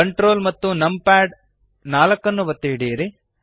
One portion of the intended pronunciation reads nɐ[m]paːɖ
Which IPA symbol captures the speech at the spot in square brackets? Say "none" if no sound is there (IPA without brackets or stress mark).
m